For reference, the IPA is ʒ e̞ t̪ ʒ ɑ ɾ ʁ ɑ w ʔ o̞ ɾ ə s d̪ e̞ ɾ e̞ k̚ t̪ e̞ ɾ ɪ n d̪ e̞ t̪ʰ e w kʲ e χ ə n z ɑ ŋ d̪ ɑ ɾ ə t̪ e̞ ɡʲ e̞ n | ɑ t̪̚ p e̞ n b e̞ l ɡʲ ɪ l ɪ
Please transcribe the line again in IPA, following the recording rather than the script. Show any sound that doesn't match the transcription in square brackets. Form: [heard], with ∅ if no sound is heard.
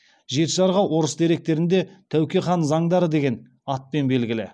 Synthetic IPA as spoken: ʒ e̞ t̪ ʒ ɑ ɾ ʁ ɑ w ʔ o̞ ɾ ə s d̪ e̞ ɾ e̞ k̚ t̪ e̞ ɾ ɪ n d̪ e̞ t̪ʰ [æ] w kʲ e χ [ɑ] n z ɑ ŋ d̪ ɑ ɾ ə [d̪] e̞ ɡʲ e̞ n | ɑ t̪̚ p e̞ n b e̞ l ɡʲ ɪ l ɪ

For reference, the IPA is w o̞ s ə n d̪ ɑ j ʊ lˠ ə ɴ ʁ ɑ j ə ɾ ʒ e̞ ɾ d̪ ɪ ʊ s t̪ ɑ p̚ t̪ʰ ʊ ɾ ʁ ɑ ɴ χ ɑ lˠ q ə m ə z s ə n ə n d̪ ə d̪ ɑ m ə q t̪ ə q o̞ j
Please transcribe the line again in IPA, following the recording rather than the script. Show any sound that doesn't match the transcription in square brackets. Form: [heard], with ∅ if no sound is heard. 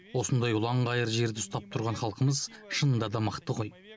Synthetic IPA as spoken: w o̞ s ə n d̪ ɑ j ʊ lˠ [ɑ] ɴ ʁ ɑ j ə ɾ ʒ e̞ ɾ d̪ ɪ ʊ s t̪ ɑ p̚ t̪ʰ ʊ ɾ ʁ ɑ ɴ χ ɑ lˠ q ə m ə z [ʃ] ə n ə n d̪ [ɑ] d̪ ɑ m ə q t̪ ə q o̞ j

